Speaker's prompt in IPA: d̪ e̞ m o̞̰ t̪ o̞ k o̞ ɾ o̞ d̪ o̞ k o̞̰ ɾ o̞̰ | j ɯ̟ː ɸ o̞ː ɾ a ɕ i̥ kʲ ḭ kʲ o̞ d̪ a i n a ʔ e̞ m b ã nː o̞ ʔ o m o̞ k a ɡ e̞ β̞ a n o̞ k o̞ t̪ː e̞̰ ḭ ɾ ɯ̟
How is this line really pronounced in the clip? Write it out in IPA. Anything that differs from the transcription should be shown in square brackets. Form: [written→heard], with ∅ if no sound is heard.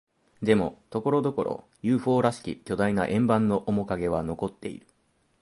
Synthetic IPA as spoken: d̪ e̞ m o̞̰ t̪ o̞ k o̞ ɾ o̞ d̪ o̞ k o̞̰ ɾ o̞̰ | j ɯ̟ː ɸ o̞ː ɾ a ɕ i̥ kʲ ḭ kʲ o̞ d̪ a i n a ʔ [e̞→ẽ̞] m b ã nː o̞ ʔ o m o̞ k a ɡ e̞ β̞ a n o̞ k o̞ t̪ː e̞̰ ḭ ɾ ɯ̟